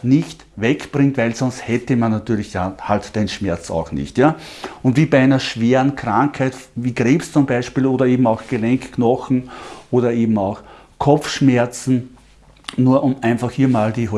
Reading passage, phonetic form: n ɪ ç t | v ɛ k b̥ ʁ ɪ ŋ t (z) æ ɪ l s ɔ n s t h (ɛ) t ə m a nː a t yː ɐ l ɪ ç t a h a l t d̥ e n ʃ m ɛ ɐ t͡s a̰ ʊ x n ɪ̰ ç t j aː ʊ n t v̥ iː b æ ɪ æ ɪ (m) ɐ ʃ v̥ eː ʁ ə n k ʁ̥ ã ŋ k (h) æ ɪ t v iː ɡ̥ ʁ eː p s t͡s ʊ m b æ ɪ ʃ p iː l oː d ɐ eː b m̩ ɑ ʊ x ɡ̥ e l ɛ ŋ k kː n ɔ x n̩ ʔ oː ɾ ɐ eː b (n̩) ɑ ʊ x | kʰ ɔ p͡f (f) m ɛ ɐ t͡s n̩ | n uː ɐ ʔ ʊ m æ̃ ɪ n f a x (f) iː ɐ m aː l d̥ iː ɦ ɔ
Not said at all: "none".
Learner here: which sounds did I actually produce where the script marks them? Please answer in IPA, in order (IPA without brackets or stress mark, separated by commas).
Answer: v, ɛ, n, h, m̩, ʃ, h